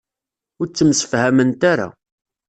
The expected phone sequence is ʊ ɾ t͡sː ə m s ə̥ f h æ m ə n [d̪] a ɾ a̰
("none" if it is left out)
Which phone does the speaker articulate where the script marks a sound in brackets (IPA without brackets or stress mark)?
t̪